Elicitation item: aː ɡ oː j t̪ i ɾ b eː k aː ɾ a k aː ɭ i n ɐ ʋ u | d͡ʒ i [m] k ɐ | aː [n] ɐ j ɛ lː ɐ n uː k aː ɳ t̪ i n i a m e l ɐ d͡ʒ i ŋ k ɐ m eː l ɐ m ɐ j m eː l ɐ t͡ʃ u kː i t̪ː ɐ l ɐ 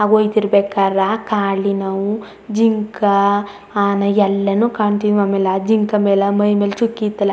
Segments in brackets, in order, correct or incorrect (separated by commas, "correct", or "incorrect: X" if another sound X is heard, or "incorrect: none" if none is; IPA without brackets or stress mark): incorrect: ŋ, correct